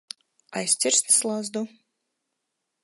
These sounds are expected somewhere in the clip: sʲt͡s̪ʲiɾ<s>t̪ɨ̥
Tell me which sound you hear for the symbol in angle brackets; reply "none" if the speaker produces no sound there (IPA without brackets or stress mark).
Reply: s